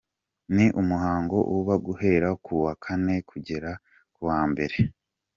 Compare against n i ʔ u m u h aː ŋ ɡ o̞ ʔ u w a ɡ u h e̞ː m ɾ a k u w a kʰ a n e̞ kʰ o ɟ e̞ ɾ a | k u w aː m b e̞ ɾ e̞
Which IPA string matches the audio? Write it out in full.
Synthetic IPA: n i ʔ u m u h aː ŋ ɡ o̞ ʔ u β a ɡ u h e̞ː ɾ a k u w a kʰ a n e̞ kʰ u ɟ e̞ ɾ a | k u w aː m b e̞ ɾ e̞